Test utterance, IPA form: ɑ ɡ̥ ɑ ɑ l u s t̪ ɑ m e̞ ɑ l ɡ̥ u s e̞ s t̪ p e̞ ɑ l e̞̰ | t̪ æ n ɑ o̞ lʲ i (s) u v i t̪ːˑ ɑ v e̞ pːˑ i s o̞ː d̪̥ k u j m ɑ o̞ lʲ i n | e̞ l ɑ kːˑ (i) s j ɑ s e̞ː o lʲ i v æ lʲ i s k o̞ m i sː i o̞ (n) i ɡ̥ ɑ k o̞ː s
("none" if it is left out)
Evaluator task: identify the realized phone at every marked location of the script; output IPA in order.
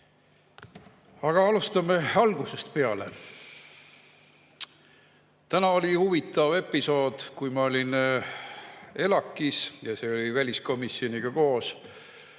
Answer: h, i, n

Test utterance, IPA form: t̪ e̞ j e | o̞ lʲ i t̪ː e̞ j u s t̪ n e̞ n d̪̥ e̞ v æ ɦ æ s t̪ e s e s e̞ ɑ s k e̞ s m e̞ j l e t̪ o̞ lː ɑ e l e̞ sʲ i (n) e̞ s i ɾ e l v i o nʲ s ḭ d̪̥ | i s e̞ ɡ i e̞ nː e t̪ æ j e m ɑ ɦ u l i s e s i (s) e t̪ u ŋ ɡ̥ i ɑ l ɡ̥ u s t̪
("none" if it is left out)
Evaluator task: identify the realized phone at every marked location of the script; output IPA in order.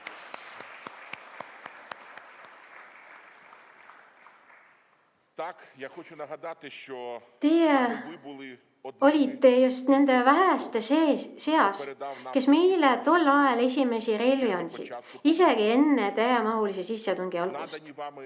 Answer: m, sː

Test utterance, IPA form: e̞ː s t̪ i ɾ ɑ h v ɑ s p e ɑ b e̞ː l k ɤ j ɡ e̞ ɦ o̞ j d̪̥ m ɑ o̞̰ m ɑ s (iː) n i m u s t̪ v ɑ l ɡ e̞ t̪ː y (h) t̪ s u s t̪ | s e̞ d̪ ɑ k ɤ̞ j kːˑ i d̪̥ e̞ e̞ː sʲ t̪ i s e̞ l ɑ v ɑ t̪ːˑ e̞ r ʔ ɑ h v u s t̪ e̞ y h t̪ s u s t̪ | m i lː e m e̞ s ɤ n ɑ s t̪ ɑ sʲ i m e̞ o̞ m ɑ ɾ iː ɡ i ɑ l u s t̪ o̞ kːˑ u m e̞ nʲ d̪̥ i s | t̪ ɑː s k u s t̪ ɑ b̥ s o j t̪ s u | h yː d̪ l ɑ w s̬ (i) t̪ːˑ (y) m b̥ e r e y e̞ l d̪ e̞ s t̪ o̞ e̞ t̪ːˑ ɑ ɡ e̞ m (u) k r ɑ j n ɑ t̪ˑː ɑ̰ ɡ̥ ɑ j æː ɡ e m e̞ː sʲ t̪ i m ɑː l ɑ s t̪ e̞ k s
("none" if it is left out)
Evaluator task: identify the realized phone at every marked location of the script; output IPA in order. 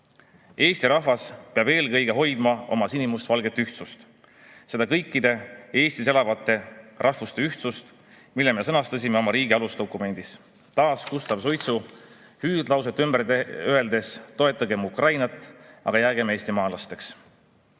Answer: i, h, e, y, u

